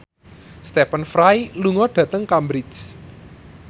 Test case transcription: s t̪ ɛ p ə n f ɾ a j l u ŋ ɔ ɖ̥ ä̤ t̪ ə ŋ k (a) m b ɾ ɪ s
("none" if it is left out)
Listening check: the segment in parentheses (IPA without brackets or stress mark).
a